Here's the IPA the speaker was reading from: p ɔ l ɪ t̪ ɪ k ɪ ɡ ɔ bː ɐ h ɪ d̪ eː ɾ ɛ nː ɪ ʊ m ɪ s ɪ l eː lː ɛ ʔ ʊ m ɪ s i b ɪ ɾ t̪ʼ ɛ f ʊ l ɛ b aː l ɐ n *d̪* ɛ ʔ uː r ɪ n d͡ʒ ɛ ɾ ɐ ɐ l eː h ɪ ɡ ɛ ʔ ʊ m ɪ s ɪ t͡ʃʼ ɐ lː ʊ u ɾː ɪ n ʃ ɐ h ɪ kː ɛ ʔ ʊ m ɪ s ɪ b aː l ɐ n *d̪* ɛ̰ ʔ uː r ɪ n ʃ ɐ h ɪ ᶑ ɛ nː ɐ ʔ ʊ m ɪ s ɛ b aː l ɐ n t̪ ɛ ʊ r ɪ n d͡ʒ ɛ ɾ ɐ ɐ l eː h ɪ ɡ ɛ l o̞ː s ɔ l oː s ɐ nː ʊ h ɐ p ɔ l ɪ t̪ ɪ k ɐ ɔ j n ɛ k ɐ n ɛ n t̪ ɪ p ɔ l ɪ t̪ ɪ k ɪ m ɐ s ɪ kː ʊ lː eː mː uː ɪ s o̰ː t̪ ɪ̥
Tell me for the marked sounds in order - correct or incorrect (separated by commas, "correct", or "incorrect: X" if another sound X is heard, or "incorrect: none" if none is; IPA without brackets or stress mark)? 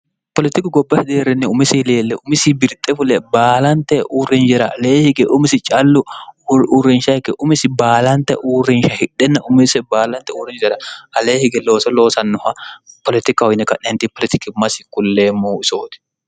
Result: incorrect: t̪, incorrect: t̪